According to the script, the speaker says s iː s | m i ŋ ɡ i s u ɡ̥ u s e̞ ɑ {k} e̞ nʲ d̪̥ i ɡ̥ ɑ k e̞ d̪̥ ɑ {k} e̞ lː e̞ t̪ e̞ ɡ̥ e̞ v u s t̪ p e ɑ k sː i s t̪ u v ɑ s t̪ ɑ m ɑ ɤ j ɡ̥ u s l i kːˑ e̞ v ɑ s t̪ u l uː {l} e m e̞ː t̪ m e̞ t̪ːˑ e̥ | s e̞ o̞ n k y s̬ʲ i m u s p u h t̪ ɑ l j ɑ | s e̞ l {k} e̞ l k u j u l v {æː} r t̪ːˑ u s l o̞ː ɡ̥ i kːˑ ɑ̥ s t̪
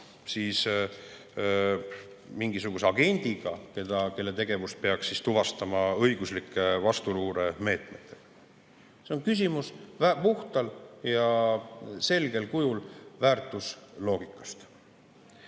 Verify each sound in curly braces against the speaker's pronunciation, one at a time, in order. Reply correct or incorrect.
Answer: incorrect: ɡ, correct, incorrect: ɾ, incorrect: ɡ, correct

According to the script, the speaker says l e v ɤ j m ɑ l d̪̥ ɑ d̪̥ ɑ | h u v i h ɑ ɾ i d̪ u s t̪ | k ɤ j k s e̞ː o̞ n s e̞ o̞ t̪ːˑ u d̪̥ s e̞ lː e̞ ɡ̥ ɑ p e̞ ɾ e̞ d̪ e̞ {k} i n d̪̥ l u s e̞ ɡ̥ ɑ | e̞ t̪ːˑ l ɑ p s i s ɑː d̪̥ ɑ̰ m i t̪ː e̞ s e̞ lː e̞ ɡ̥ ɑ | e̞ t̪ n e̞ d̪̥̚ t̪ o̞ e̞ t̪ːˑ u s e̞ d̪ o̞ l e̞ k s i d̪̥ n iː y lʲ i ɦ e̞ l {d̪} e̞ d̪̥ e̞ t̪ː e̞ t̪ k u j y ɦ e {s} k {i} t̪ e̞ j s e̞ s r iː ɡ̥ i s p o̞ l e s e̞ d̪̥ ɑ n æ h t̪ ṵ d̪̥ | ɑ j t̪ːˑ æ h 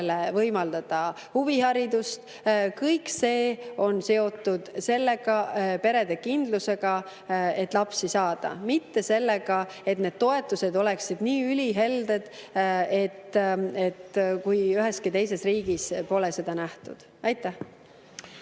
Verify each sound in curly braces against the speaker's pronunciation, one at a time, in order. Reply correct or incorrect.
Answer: correct, correct, correct, correct

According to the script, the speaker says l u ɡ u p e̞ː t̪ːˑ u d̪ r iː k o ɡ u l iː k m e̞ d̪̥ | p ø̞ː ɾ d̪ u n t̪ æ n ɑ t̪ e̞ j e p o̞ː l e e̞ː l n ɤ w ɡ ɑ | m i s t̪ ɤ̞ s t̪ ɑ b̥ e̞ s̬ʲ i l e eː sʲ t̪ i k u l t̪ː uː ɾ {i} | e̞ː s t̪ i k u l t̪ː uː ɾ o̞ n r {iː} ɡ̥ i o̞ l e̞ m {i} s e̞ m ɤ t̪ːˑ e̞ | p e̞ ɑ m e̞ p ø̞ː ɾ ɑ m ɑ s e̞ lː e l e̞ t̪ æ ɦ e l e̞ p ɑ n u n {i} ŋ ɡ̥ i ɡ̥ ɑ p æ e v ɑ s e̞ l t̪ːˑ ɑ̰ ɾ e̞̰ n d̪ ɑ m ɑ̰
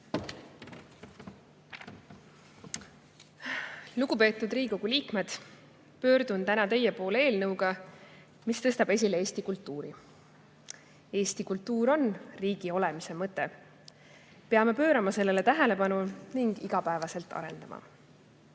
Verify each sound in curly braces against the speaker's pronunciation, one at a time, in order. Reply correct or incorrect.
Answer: correct, correct, correct, correct

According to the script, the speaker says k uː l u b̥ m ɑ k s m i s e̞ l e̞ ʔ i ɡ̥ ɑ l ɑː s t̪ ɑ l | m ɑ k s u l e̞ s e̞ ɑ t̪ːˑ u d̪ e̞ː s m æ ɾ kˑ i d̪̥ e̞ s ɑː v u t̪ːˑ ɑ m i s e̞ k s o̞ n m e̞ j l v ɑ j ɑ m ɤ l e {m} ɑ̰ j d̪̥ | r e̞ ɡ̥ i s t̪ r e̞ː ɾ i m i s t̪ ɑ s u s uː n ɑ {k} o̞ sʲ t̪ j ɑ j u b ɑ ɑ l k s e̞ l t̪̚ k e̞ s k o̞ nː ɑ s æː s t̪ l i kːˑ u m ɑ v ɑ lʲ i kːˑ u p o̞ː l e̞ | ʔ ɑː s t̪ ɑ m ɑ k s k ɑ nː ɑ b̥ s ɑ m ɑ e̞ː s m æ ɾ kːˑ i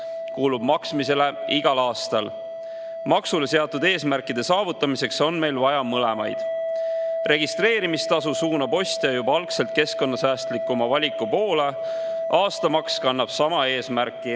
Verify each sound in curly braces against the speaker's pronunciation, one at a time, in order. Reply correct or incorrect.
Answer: correct, incorrect: p

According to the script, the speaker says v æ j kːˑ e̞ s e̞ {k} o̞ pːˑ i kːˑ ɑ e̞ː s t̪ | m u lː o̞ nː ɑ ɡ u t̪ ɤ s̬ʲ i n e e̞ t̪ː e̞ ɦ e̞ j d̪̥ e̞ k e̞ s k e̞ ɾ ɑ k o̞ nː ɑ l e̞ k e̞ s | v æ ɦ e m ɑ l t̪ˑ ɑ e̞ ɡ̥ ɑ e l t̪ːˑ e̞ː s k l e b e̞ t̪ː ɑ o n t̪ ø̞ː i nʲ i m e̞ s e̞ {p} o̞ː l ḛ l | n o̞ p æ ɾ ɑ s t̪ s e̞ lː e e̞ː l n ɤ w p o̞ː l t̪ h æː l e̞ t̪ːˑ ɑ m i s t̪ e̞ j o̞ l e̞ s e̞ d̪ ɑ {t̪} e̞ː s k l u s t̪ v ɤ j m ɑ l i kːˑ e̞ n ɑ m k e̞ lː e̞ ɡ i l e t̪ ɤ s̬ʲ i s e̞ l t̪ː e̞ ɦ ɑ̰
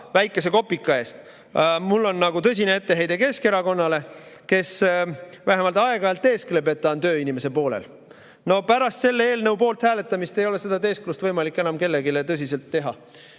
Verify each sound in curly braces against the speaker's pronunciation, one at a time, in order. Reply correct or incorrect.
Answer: correct, correct, correct

